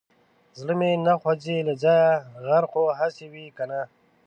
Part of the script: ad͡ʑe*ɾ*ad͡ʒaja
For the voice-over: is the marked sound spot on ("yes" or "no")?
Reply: no